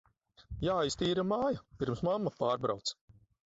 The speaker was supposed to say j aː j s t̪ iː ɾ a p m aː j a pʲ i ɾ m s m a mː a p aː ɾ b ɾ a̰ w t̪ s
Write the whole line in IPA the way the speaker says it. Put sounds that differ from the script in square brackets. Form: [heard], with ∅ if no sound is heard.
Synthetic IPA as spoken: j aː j s t̪ iː ɾ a [∅] m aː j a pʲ i ɾ m s m a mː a p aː ɾ b ɾ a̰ w t̪ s